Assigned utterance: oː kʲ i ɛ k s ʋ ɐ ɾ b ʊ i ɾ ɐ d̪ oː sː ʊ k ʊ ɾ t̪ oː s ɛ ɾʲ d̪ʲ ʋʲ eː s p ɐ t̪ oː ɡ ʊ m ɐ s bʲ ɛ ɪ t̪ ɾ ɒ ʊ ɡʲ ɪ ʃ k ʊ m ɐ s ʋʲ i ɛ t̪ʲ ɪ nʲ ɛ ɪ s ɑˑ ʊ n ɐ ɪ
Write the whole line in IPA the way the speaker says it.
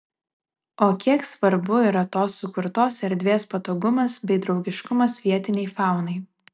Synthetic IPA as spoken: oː kʲ i ɛ k s ʋ ɐ ɾ b ʊ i ɾ ɐ t̪ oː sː ʊ k ʊ ɾ t̪ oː s ɛ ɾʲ d̪ʲ ʋʲ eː s p ɐ t̪ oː ɡ ʊ m ɐ s bʲ ɛ ɪ d̪ ɾ ɒ ʊ ɡʲ ɪ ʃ k ʊ m ɐ s ʋʲ i ɛ t̪ʲ ɪ nʲ ɛ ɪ f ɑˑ ʊ n ɐ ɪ